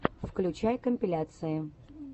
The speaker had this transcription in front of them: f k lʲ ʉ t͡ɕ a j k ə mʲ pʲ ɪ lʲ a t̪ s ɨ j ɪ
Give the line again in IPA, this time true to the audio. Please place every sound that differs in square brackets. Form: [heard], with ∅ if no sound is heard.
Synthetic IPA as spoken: f k lʲ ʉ t͡ɕ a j k ə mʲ pʲ ɪ lʲ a t̪ s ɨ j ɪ